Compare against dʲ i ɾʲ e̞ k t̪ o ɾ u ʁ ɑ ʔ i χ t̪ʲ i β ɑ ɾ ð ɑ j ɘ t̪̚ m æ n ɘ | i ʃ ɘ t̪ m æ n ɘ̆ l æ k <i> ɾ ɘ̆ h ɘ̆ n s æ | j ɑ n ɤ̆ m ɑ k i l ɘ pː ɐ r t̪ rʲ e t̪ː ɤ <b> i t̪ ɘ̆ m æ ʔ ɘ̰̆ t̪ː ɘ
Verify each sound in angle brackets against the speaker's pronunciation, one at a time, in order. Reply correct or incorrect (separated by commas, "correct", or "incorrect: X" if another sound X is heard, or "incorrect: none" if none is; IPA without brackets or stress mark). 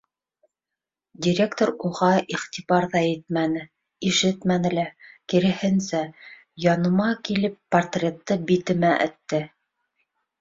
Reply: correct, correct